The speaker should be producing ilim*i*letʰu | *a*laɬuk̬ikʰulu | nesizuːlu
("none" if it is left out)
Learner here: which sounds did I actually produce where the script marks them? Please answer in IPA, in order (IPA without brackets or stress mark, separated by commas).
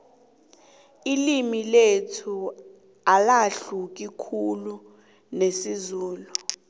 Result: i, a